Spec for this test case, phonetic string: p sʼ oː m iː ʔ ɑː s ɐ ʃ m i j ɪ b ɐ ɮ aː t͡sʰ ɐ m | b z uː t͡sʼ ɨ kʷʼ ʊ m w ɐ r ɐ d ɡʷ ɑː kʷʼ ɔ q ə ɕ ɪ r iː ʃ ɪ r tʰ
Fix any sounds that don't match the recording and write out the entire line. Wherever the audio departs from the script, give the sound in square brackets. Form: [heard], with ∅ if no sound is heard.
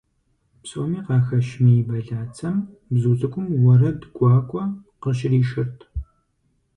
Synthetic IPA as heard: p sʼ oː m iː [q] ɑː [x] ɐ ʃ m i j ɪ b ɐ ɮ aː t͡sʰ ɐ m | b z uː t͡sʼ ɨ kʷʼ ʊ m w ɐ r ɐ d ɡʷ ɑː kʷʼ ɔ q ə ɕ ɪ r iː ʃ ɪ r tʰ